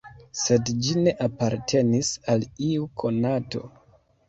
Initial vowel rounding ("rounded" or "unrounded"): unrounded